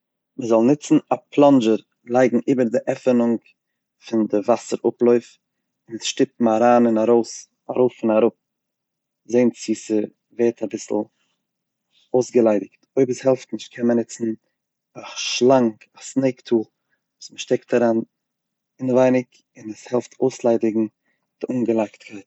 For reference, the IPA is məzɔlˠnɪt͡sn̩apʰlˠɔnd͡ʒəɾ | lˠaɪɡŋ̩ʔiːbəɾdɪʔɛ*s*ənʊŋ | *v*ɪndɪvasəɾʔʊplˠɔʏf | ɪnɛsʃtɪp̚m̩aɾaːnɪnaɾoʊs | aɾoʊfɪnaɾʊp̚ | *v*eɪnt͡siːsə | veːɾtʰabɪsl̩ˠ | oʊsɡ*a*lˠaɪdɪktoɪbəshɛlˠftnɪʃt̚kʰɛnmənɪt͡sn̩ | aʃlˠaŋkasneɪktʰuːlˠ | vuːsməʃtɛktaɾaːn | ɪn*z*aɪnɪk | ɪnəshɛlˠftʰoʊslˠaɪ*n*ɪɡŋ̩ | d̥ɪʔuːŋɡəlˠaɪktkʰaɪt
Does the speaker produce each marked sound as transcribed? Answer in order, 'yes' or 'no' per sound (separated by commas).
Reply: no, no, no, no, no, no